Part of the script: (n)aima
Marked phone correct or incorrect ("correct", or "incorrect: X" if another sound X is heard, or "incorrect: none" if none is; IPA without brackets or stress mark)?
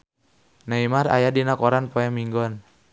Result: correct